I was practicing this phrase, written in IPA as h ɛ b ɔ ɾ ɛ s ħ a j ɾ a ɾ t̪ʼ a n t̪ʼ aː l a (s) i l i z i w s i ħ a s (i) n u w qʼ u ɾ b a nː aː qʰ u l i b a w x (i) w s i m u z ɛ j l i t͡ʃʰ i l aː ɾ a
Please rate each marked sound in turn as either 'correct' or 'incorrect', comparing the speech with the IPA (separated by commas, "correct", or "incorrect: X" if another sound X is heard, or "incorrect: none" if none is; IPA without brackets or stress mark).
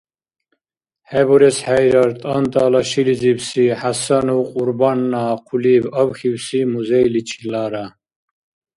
incorrect: ʃ, incorrect: a, correct